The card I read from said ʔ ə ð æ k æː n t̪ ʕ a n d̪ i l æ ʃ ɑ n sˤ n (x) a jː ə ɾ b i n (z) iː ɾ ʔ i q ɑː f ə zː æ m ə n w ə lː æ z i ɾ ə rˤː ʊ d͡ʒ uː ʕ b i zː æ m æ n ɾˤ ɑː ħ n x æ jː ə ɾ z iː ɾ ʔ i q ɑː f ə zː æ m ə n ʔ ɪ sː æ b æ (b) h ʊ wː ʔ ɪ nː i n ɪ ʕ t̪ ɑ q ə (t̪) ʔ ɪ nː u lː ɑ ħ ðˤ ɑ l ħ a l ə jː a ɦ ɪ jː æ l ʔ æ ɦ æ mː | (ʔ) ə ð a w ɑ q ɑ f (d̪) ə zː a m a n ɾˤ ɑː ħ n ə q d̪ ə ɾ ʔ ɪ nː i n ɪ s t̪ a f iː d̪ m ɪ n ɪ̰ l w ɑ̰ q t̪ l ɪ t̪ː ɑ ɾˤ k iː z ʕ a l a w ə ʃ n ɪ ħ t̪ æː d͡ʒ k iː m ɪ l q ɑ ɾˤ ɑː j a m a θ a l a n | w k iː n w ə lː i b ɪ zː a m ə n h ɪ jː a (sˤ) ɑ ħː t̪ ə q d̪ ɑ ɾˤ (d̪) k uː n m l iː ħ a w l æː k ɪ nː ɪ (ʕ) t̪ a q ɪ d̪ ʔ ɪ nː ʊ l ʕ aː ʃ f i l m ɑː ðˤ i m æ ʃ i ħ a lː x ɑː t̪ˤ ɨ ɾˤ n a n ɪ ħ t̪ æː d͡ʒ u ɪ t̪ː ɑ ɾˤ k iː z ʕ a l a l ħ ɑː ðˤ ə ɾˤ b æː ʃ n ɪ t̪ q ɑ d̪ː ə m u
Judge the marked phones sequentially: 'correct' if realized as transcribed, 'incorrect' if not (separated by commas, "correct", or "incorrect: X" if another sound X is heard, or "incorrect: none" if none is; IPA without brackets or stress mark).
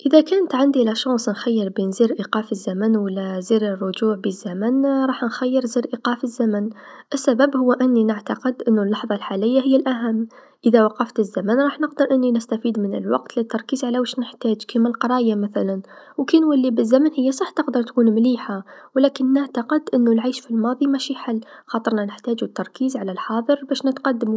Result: correct, correct, correct, incorrect: d̪, correct, incorrect: t̪, correct, incorrect: t̪, correct